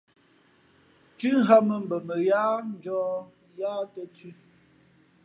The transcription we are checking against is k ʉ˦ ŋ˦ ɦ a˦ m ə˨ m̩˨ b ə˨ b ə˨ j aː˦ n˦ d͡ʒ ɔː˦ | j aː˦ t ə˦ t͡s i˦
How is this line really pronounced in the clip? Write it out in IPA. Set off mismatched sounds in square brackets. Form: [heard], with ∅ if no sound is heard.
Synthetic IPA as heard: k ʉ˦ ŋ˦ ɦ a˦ m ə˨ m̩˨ b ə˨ [m] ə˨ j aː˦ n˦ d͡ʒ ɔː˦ | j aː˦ t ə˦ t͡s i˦